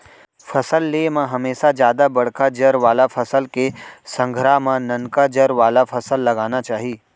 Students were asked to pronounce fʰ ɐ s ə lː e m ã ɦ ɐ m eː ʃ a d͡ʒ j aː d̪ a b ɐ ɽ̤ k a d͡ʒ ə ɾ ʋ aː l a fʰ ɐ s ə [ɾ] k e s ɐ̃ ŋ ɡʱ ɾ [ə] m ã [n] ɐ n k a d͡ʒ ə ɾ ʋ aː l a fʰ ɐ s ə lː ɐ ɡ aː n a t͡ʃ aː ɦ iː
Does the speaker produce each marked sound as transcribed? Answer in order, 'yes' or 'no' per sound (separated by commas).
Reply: no, no, yes